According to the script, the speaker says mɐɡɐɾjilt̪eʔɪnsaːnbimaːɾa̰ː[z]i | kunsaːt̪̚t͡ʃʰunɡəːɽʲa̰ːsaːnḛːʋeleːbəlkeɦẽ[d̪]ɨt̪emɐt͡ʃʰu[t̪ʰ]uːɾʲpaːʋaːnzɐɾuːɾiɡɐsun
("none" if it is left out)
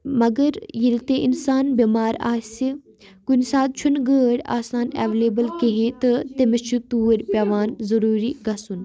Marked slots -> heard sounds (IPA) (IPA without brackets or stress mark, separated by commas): s, t̪, t̪